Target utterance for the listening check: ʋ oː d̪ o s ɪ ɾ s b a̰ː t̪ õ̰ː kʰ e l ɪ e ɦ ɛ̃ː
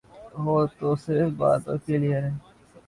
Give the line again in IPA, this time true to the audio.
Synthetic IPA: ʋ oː t̪ o s ɪ ɾ f b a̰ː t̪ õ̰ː k e l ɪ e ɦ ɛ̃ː